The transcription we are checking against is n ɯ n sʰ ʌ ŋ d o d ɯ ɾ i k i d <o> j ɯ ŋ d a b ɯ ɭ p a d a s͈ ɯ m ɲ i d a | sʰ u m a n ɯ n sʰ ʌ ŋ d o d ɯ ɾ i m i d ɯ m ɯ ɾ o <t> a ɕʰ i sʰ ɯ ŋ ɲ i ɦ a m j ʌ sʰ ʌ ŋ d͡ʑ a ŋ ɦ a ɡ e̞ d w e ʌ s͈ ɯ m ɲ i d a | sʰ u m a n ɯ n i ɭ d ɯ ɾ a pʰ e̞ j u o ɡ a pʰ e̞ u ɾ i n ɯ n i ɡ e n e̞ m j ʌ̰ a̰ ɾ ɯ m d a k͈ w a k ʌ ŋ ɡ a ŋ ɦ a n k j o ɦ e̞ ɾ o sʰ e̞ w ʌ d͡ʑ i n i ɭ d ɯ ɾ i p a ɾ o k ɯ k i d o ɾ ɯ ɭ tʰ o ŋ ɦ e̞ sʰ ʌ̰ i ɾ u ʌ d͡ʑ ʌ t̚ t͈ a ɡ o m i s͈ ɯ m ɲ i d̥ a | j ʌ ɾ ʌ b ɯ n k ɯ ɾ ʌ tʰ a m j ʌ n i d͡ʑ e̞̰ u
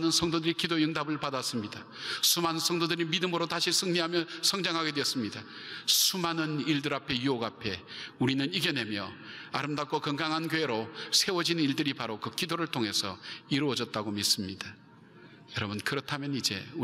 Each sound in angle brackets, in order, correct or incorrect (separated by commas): correct, correct